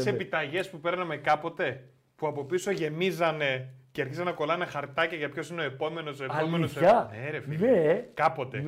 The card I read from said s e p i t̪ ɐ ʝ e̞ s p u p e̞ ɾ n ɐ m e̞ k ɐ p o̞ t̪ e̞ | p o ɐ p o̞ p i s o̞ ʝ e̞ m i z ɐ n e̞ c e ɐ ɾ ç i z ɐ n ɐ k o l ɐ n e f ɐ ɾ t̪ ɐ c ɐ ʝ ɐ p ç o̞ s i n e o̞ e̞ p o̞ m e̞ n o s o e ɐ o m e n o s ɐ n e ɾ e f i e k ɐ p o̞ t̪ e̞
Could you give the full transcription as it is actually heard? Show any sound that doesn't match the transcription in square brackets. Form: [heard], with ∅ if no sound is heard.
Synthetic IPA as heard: s e p i t̪ ɐ ʝ e̞ s p u p e̞ ɾ n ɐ m e̞ k ɐ p o̞ t̪ e̞ | p [u] ɐ p o̞ p i s o̞ ʝ e̞ m i z ɐ n e̞ c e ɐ ɾ ç i z ɐ n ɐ k o l ɐ n e [x] ɐ ɾ t̪ ɐ c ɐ ʝ ɐ p ç o̞ s i n e o̞ e̞ p o̞ m e̞ n o s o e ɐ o m e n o s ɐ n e ɾ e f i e k ɐ p o̞ t̪ e̞